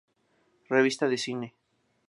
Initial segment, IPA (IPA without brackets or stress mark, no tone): r